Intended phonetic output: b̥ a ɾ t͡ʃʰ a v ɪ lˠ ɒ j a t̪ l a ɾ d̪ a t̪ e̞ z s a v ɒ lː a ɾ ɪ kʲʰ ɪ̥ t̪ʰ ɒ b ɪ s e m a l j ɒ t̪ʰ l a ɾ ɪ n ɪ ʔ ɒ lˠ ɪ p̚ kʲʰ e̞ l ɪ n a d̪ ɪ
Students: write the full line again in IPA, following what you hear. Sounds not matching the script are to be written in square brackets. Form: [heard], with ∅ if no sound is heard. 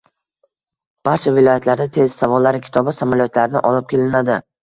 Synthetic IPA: b̥ a ɾ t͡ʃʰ a v ɪ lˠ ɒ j a t̪ l a ɾ d̪ a [t̪ʰ] e̞ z s a v ɒ lː a ɾ ɪ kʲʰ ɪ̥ t̪ʰ ɒ b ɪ s [a] m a l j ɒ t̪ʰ l a ɾ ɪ n ɪ ʔ ɒ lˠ ɪ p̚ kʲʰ e̞ l ɪ n a d̪ ɪ